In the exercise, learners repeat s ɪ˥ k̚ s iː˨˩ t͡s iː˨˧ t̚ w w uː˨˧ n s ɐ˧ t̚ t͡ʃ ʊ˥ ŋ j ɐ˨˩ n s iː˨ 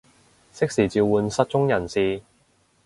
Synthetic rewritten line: s ɪ˥ k̚ s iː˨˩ t͡s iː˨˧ w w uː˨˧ n s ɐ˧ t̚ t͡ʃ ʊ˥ ŋ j ɐ˨˩ n s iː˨